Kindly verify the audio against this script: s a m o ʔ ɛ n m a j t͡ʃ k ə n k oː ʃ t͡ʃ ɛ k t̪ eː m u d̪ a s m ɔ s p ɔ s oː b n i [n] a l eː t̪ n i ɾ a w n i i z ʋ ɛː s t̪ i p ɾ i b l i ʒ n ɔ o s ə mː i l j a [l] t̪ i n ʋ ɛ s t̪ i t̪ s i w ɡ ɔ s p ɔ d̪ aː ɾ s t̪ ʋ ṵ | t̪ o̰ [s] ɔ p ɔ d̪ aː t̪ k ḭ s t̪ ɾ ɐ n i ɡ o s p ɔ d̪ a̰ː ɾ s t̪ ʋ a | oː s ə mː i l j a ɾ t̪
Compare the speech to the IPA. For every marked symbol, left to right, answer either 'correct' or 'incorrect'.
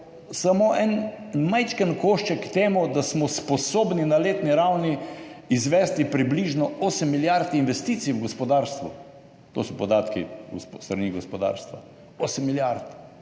correct, incorrect, correct

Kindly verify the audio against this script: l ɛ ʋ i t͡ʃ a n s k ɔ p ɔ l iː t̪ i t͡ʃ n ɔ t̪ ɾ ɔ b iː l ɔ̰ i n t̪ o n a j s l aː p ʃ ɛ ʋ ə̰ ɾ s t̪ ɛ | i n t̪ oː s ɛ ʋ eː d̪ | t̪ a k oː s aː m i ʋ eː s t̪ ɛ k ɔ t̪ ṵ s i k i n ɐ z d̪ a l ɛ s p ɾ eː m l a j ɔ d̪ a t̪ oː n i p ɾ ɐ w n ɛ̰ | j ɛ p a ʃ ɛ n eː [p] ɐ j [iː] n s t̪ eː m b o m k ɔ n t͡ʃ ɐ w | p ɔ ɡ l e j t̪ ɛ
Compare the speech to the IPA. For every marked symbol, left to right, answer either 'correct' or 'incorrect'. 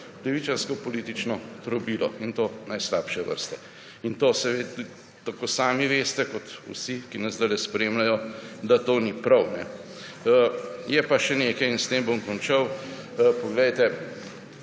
incorrect, incorrect

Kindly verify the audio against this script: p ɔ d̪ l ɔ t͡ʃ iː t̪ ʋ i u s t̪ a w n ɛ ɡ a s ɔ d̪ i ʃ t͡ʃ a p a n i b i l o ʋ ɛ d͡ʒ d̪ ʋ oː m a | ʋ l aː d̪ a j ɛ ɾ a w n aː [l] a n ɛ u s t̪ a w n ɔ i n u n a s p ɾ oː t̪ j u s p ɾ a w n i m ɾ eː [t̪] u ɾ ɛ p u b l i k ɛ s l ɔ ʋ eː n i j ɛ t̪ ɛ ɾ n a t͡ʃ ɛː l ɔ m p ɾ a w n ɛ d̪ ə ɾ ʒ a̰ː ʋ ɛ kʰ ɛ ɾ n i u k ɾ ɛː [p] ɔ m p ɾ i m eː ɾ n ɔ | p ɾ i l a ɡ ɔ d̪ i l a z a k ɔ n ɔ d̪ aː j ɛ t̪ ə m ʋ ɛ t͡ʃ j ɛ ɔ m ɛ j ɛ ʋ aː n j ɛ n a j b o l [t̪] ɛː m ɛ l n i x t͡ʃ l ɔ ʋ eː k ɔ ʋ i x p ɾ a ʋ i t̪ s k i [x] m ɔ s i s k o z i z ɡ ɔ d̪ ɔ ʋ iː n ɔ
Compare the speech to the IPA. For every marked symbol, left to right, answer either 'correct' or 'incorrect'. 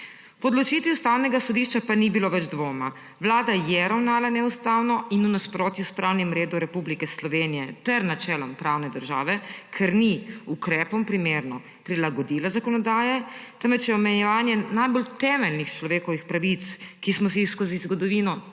correct, incorrect, correct, correct, incorrect

